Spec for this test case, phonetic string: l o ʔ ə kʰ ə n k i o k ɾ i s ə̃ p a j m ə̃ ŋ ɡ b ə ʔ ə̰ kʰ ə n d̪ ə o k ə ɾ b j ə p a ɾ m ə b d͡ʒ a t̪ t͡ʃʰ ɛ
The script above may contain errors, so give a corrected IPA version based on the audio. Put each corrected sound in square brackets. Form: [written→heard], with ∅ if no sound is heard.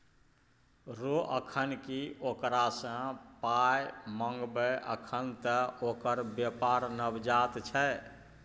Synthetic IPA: [l→ɾ] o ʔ ə kʰ ə n k i o k ɾ [i→a] s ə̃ p a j m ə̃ ŋ ɡ b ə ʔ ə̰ kʰ ə n [d̪→t̪] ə o k ə ɾ b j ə p a ɾ [m→n] ə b d͡ʒ a t̪ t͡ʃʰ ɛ